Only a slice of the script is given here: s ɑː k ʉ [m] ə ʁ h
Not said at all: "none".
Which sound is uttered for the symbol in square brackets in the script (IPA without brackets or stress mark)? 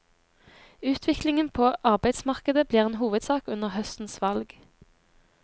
n